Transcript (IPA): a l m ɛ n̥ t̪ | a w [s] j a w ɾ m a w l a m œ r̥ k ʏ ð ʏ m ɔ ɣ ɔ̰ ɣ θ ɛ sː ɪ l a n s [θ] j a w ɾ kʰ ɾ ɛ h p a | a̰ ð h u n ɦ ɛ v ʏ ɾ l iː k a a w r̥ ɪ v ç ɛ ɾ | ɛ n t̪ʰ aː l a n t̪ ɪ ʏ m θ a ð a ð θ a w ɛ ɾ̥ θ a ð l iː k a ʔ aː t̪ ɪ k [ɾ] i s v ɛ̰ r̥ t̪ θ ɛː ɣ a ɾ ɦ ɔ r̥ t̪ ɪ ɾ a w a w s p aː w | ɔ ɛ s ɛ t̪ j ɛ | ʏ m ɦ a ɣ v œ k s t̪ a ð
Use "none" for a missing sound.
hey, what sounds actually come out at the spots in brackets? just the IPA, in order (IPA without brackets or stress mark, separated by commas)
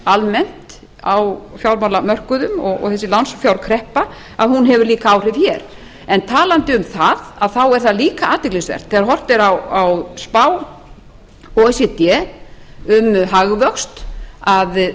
f, f, l